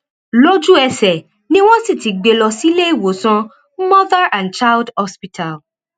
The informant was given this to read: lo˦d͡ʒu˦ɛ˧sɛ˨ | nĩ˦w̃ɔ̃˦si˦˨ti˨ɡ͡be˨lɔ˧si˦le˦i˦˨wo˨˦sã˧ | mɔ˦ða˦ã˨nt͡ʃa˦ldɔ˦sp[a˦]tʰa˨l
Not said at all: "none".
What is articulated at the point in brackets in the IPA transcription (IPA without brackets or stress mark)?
i˦